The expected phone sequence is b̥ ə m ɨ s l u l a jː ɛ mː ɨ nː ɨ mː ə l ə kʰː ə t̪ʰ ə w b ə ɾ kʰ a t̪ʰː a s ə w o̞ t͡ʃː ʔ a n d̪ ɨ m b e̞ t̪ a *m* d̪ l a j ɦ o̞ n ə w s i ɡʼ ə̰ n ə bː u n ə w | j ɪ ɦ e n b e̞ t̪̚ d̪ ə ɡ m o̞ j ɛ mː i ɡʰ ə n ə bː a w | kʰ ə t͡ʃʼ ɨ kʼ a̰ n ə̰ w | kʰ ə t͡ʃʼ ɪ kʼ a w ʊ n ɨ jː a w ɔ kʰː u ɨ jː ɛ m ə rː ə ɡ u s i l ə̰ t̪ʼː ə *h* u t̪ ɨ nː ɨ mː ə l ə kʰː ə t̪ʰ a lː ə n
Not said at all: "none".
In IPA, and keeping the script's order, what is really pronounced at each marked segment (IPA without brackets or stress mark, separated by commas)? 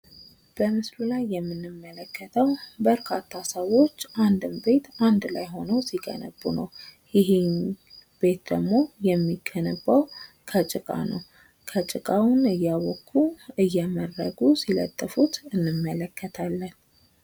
n, f